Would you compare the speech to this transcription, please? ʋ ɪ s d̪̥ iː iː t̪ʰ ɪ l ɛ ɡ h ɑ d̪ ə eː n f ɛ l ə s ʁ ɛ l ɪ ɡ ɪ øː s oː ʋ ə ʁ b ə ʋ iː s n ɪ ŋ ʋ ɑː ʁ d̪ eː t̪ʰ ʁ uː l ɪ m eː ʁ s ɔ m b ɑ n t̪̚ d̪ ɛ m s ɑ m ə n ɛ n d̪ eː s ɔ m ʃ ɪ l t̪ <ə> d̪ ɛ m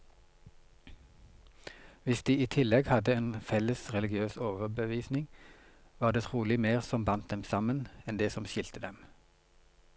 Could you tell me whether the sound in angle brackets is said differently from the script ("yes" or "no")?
no